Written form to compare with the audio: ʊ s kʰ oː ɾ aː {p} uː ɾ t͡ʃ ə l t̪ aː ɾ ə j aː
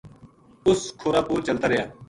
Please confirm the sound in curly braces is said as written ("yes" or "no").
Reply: yes